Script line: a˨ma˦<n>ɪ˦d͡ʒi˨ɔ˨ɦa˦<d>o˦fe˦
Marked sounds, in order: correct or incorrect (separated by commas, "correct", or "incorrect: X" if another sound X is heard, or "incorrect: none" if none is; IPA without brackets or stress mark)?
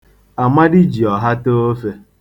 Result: incorrect: d, incorrect: t